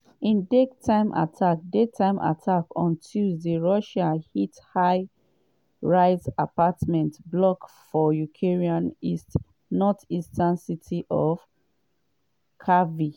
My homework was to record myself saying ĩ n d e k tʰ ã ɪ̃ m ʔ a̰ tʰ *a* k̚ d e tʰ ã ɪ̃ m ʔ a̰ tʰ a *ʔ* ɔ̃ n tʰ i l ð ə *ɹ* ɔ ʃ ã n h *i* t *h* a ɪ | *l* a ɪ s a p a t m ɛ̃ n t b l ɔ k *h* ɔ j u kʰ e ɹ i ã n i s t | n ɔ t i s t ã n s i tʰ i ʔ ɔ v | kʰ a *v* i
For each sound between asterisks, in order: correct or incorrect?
correct, incorrect, correct, correct, correct, incorrect, incorrect, correct

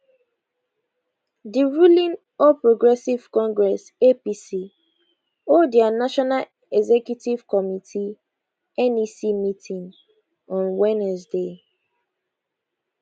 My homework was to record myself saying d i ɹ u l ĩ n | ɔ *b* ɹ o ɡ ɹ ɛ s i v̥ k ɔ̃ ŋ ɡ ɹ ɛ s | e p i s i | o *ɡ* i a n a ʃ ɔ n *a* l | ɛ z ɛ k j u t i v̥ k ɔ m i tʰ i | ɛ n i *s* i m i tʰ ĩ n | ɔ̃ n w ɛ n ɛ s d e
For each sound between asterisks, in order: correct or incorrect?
incorrect, incorrect, correct, correct

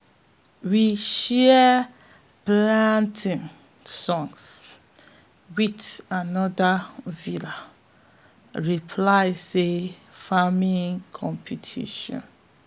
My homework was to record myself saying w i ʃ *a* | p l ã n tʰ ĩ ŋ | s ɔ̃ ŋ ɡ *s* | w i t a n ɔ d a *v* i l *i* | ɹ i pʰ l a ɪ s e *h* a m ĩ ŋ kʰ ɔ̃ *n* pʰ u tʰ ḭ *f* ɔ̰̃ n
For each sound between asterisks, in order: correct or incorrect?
incorrect, correct, correct, incorrect, incorrect, incorrect, incorrect

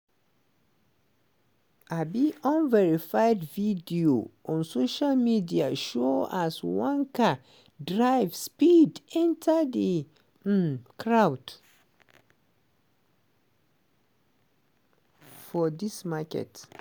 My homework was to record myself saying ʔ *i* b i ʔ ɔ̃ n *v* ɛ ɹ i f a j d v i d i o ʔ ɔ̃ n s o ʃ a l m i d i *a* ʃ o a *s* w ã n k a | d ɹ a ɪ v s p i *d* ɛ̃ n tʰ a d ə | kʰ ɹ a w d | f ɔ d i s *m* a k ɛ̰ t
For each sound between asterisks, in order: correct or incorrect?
incorrect, correct, correct, correct, correct, correct

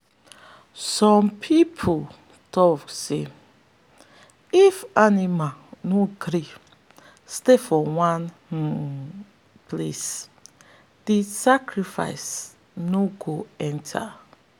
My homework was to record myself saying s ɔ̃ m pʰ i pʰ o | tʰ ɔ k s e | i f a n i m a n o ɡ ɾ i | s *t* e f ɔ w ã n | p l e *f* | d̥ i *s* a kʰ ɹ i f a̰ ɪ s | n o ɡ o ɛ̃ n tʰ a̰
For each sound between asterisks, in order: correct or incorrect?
correct, incorrect, correct

